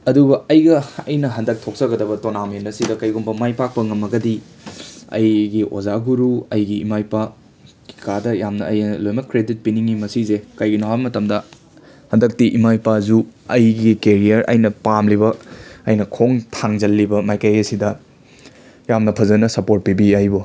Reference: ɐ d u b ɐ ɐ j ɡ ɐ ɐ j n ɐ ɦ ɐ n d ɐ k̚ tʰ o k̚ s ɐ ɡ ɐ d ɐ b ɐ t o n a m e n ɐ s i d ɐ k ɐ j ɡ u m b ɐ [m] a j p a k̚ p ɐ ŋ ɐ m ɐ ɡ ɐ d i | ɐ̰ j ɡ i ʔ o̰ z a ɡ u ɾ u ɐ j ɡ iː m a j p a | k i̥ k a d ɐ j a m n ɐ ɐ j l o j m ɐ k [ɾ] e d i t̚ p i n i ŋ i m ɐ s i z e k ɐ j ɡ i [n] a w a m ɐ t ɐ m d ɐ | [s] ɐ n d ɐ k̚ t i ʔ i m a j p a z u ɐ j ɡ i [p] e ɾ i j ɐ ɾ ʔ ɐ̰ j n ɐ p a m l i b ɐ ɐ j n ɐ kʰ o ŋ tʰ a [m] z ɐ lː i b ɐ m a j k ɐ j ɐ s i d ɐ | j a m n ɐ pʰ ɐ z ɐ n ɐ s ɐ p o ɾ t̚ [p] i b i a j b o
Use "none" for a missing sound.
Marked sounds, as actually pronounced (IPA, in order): m, ɾ, n, h, k, ŋ, p

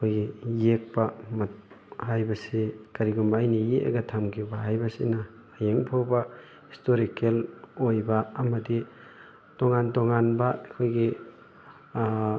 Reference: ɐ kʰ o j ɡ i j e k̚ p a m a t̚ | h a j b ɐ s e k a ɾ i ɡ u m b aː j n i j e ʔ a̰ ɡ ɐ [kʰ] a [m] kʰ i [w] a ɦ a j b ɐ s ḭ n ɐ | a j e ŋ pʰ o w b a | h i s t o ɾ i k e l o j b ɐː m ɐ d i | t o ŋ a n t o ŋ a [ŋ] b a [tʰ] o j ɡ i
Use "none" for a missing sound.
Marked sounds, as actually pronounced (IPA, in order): tʰ, m, b, n, kʰ

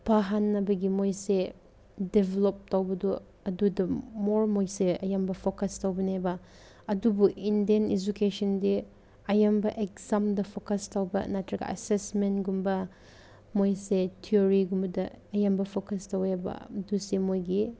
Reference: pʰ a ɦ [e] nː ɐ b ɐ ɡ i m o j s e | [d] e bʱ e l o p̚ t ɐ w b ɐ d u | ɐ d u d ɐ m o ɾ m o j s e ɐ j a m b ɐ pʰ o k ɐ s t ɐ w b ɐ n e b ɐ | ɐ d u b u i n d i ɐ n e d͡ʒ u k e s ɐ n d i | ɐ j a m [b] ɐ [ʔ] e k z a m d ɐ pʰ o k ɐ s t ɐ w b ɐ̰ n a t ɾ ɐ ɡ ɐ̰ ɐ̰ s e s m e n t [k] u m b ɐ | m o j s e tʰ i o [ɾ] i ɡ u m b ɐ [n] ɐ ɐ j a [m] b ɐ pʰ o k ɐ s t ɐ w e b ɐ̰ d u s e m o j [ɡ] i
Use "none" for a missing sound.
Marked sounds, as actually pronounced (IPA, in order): a, d, b, ʔ, ɡ, ɾ, d, m, ɡ

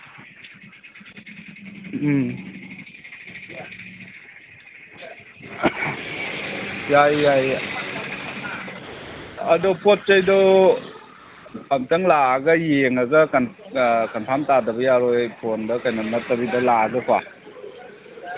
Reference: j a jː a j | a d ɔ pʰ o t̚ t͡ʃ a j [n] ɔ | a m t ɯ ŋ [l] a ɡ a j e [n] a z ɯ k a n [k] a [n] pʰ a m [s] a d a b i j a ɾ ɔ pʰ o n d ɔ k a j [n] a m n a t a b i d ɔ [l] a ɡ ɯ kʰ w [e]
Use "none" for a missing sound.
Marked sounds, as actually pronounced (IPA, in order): d, l, ŋ, k, n, t, n, l, a

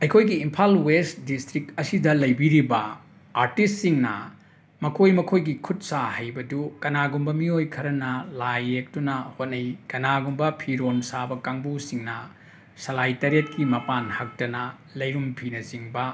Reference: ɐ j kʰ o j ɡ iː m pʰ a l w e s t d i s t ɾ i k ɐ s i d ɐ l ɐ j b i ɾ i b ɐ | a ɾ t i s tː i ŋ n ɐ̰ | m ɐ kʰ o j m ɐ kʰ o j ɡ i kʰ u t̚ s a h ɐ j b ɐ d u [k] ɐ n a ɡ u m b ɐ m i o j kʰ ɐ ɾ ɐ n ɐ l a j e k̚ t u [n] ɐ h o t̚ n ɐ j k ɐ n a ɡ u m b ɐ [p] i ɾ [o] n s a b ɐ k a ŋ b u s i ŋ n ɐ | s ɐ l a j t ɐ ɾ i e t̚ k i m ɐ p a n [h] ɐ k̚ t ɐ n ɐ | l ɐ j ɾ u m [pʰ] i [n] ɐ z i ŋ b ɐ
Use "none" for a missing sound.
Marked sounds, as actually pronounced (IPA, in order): k, n, pʰ, o, h, pʰ, n

